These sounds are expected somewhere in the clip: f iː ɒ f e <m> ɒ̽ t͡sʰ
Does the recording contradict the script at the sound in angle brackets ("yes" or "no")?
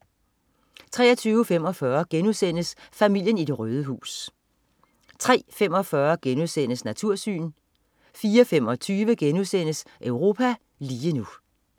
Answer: no